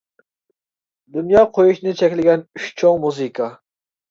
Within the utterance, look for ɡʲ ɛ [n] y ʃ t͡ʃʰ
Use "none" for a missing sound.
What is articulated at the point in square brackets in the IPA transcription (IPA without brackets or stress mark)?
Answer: n